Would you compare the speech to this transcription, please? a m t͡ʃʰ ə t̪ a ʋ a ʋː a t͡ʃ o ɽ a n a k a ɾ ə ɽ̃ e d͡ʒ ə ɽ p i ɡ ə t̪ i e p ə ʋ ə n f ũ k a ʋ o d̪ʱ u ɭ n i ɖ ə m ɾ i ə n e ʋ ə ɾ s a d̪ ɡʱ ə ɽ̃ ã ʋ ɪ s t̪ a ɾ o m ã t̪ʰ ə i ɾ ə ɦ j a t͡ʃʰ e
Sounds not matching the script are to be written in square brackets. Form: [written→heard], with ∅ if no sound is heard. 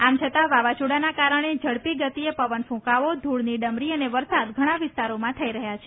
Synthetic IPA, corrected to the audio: a m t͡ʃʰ ə t̪ a ʋ a [ʋː→ʋ] a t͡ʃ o ɽ a n a k a ɾ ə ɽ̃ e d͡ʒ ə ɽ p i ɡ ə t̪ i e p ə ʋ ə n f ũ k a ʋ o d̪ʱ u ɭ n i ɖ ə m ɾ i ə n e ʋ ə ɾ s a d̪ ɡʱ ə ɽ̃ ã ʋ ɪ s t̪ a ɾ o m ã t̪ʰ ə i ɾ ə ɦ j a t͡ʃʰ e